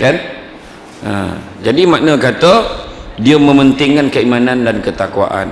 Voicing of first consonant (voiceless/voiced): voiceless